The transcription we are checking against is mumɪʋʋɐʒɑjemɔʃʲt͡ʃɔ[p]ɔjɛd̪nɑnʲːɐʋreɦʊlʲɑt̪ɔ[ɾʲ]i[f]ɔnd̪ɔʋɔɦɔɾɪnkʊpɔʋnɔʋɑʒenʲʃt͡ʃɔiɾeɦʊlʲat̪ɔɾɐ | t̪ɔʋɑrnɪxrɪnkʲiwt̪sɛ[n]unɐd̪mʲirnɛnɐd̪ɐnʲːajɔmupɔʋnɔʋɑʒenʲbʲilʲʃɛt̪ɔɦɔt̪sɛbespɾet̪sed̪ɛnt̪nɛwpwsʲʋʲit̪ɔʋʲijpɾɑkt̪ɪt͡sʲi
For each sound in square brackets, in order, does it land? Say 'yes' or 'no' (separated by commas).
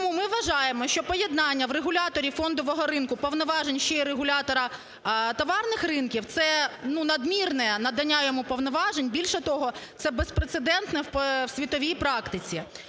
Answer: yes, yes, yes, yes